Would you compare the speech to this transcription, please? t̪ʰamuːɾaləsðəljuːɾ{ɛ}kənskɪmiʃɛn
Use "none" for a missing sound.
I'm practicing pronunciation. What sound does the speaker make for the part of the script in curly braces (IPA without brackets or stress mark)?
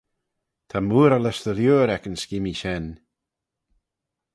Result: ɛ